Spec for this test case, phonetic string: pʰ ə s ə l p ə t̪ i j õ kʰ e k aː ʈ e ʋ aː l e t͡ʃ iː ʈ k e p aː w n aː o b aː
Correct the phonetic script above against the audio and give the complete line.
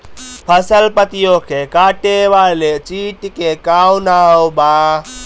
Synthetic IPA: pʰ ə s ə l p ə t̪ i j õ kʰ e k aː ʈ e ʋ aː l e t͡ʃ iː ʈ k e k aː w n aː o b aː